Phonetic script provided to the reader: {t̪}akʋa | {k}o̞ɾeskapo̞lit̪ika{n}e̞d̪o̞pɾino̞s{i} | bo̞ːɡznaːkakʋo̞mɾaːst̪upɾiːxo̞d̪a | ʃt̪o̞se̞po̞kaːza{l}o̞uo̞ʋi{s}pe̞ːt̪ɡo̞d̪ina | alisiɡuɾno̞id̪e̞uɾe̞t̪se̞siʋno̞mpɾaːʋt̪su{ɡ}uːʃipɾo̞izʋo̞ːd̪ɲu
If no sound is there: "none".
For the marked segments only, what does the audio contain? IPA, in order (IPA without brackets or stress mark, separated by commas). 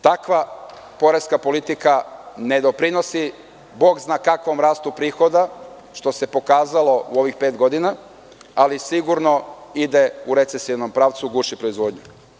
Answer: t̪, p, n, i, l, x, ɡ